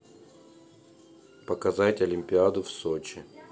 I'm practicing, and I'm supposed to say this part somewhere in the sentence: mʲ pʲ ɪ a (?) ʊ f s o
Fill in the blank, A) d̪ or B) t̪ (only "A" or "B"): A